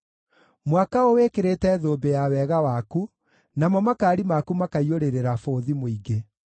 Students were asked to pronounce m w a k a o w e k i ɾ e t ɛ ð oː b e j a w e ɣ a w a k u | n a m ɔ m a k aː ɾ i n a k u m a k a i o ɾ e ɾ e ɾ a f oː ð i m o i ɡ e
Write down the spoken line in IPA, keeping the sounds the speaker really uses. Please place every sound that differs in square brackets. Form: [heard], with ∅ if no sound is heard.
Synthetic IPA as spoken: m w a k a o w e k [e] ɾ e t ɛ ð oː b e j a w [ɛ] ɣ a w a k u | n a m ɔ m a k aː ɾ i [m] a k u m a k a i o ɾ e ɾ e ɾ a f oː ð i m o i ɡ e